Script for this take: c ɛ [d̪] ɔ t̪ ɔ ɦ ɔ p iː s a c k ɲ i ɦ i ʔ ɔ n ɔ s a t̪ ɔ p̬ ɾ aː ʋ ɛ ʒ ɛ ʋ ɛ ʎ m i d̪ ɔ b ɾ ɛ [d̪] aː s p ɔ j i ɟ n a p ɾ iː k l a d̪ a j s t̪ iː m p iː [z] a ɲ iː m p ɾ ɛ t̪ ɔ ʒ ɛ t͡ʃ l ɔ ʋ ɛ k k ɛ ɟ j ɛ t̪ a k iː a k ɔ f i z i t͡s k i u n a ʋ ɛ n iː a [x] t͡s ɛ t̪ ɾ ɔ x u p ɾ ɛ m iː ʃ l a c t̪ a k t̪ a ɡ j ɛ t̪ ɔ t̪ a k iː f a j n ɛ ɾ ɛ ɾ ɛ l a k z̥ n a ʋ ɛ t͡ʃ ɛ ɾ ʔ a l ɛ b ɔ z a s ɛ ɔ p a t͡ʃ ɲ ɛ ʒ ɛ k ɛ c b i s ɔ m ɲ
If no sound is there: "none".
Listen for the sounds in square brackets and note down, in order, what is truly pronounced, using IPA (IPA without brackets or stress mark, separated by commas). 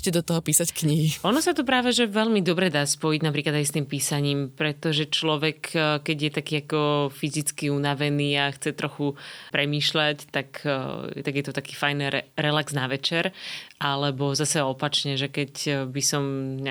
d̪, d̪, s, x